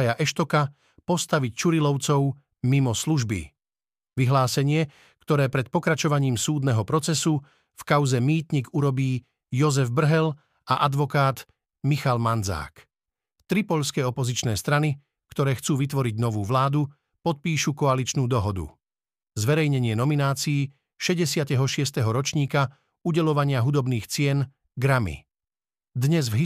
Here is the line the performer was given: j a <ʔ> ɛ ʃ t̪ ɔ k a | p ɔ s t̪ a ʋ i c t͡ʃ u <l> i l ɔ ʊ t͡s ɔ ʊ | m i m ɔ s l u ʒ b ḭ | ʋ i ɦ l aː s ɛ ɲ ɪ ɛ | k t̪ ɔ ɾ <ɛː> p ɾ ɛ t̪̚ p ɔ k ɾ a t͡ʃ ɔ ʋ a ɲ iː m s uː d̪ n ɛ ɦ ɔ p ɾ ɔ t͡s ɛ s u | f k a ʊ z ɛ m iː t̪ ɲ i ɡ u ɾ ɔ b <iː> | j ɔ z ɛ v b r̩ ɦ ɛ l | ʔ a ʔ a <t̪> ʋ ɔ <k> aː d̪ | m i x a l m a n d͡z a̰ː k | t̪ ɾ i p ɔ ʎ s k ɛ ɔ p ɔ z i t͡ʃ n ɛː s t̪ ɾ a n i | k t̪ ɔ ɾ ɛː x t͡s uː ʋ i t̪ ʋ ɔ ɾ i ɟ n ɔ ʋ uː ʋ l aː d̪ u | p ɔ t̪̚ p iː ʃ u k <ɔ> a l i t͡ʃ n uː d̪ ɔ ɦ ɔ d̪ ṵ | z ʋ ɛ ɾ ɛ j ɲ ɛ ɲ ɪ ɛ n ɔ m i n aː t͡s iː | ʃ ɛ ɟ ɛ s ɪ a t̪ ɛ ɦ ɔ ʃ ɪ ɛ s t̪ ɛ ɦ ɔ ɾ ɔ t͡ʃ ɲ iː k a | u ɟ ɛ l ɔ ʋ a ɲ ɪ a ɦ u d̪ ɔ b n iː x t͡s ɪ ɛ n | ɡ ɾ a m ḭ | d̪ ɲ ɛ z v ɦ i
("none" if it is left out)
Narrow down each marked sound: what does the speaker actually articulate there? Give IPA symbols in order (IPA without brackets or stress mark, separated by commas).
ʔ, ɾ, ɛː, iː, d̪, k, ɔ